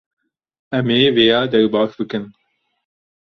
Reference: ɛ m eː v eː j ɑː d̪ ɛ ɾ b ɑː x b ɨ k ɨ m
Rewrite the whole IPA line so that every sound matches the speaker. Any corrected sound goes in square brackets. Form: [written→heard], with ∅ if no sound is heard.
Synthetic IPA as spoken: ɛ m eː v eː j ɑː d̪ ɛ ɾ b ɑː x b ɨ k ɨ [m→n]

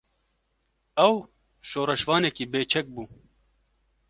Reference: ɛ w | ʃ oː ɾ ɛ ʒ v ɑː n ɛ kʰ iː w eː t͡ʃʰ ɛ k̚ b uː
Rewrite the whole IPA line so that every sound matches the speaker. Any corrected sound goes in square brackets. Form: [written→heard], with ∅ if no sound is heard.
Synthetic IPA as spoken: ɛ w | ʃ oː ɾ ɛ [ʒ→ʃ] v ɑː n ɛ [kʰ→k] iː [w→b] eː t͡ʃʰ ɛ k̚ b uː

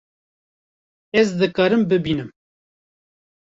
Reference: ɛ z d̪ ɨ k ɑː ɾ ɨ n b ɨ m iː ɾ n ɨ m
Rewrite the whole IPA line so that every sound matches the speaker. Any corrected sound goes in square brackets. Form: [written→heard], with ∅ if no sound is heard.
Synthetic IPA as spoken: ɛ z d̪ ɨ k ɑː ɾ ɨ [n→m] b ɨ [m→b] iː [ɾ→∅] n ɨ m

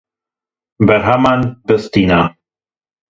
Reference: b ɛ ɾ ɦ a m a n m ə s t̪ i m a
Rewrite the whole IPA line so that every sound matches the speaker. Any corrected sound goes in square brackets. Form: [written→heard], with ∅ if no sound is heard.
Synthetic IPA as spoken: b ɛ ɾ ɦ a m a n [m→b] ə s t̪ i [m→n] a

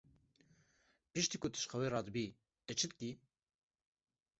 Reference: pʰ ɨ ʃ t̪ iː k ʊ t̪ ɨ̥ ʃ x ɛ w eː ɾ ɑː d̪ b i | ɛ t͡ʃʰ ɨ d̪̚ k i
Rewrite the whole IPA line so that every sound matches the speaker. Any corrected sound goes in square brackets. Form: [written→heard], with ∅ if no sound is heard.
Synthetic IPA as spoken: [pʰ→p] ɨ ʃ t̪ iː k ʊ t̪ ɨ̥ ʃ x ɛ w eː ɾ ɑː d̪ b i | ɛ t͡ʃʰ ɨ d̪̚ k i

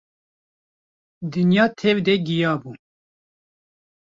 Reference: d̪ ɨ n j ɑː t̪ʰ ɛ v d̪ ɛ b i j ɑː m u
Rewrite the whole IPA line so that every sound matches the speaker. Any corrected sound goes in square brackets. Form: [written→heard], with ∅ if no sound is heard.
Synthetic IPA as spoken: d̪ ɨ n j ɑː t̪ʰ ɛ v d̪ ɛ [b→ɡ] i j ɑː [m→b] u

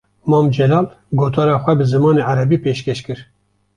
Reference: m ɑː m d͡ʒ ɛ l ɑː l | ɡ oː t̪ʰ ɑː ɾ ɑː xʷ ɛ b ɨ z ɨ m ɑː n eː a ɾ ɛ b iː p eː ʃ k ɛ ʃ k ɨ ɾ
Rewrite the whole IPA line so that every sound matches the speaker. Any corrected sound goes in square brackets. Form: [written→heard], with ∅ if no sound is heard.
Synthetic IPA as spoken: m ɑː m d͡ʒ ɛ l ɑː l | ɡ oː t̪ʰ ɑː ɾ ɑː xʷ ɛ b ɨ z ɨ m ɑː n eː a ɾ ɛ b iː p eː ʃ k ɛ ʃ k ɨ ɾ

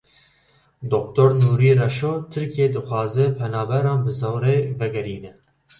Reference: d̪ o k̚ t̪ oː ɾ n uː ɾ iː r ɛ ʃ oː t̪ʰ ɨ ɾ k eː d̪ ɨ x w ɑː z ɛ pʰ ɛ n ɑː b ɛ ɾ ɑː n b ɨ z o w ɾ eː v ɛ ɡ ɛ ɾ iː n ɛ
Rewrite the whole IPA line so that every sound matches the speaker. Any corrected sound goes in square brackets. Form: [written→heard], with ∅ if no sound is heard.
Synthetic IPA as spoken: d̪ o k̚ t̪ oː ɾ n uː ɾ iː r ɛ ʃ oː t̪ʰ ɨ ɾ k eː d̪ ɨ x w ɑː z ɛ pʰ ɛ n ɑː b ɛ ɾ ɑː n b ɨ z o w ɾ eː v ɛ ɡ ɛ ɾ iː n ɛ

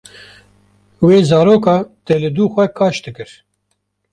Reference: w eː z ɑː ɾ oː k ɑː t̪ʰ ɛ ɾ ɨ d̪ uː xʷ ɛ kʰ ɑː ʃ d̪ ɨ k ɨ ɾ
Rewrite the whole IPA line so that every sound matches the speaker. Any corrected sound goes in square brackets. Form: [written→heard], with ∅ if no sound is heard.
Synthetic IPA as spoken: w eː z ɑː ɾ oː k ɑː [t̪ʰ→t̪] ɛ [ɾ→l] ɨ d̪ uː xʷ ɛ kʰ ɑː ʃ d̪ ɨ k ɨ ɾ

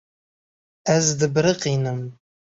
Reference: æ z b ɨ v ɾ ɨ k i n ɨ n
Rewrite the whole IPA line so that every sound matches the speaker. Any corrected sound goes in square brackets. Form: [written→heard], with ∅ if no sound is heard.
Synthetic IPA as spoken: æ z [b→d] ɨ [v→b] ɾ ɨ [k→q] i n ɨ [n→m]

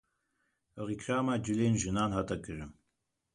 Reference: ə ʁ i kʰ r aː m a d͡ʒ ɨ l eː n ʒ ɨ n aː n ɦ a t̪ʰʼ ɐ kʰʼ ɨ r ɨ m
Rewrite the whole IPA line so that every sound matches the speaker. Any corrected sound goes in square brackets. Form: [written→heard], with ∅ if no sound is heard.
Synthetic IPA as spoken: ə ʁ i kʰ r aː m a d͡ʒ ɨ l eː n ʒ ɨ n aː n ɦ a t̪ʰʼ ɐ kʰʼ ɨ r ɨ m

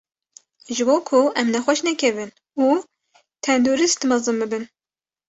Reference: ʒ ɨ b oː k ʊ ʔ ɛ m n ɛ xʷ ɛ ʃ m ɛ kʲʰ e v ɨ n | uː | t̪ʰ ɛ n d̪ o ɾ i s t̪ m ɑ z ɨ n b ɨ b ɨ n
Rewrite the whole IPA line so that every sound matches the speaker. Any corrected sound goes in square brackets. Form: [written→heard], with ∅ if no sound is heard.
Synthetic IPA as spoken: ʒ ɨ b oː [k→kʰ] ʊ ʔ ɛ m n ɛ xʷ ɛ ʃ [m→n] ɛ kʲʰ [e→ɛ] v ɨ n | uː | t̪ʰ ɛ n d̪ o ɾ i s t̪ m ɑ z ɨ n b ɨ b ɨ n

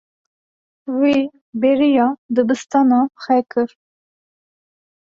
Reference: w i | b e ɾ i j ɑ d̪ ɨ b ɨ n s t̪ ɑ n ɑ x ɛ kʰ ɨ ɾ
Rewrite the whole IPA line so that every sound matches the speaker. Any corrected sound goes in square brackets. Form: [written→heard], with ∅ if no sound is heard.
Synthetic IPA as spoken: w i | b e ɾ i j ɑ d̪ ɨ b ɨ [n→∅] s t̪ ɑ n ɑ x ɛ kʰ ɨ ɾ

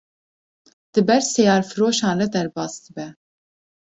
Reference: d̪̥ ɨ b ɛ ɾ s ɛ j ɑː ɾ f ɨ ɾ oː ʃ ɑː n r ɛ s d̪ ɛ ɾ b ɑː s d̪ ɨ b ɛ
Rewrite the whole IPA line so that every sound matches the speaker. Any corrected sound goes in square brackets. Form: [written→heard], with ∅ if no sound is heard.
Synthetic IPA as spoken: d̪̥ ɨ b ɛ ɾ s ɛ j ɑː ɾ f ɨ ɾ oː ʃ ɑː n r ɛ [s→∅] d̪ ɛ ɾ b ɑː s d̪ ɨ b ɛ

